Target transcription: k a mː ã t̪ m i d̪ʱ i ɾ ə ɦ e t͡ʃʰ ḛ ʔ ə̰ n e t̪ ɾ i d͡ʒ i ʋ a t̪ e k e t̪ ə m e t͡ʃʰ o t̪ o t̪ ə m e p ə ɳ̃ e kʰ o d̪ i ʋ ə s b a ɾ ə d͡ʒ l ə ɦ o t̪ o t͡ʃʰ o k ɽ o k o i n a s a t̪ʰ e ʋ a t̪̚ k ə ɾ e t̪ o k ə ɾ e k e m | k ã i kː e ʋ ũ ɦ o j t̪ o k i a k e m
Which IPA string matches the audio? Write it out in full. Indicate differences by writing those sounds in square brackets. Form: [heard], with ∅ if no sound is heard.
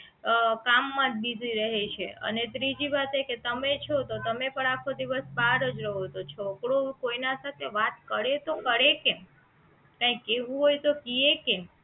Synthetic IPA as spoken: k a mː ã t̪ [b] i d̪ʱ i ɾ ə ɦ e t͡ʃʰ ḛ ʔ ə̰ n e t̪ ɾ i d͡ʒ i ʋ a t̪ e k e t̪ ə m e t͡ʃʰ o t̪ o t̪ ə m e p ə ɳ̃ [a] kʰ o d̪ i ʋ ə s b a ɾ ə d͡ʒ [ɾ] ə ɦ o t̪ o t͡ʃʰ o k ɽ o k o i n a s a t̪ʰ e ʋ a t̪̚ k ə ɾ e t̪ o k ə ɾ e k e m | k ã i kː e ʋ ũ ɦ o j t̪ o k i [e] k e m